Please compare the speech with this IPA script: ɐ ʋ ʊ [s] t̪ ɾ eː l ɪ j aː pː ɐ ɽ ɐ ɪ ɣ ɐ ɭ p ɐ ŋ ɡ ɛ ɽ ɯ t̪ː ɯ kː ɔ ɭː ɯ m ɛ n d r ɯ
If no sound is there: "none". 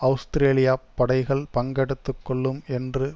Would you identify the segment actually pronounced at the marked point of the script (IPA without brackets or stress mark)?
s